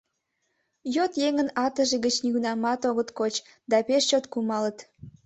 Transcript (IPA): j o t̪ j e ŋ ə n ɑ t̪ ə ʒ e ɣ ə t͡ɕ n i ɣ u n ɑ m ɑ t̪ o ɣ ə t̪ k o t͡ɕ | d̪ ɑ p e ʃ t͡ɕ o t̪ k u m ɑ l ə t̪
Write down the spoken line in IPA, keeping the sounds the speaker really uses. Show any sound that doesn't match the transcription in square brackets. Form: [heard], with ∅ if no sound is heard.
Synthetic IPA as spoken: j o t̪ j e ŋ ə n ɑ t̪ ə ʒ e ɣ ə t͡ɕ n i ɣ u n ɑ m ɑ t̪ o ɣ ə t̪ k o t͡ɕ | d̪ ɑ p e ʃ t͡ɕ o t̪ k u m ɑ l ə t̪